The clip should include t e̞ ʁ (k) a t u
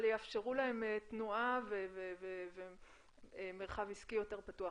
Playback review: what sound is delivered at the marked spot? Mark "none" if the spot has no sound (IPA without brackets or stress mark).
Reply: p